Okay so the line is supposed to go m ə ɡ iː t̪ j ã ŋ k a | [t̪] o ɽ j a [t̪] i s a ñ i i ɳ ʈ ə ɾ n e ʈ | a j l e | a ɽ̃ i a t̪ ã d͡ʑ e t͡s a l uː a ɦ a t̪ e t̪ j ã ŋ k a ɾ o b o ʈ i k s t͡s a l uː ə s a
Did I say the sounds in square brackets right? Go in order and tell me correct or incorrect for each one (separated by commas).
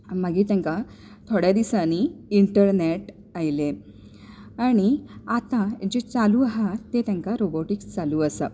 incorrect, incorrect